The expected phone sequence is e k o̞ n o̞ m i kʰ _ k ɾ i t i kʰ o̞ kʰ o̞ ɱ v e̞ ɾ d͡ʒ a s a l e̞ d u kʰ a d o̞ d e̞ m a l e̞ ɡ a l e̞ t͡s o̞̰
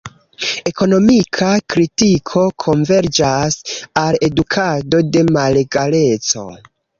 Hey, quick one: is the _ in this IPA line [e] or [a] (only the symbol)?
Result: a